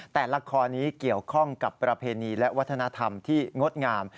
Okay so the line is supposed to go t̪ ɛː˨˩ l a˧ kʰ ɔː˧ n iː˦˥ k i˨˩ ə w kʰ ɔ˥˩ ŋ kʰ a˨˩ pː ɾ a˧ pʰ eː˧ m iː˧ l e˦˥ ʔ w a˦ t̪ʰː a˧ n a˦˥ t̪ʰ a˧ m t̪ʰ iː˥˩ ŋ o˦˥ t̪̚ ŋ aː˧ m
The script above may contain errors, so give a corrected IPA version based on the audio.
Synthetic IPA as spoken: t̪ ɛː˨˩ l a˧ kʰ ɔː˧ n iː˦˥ k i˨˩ ə w kʰ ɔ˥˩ ŋ k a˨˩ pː ɾ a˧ pʰ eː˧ n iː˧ l ɛ˦˥ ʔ w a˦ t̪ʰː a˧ n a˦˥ t̪ʰ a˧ m t̪ʰ iː˥˩ ŋ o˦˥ t̪̚ ŋ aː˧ m